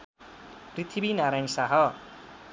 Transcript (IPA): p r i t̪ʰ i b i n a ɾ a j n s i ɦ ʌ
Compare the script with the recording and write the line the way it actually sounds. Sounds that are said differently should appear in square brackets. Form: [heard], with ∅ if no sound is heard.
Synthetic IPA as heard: p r i t̪ʰ i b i n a ɾ a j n s [a] ɦ ʌ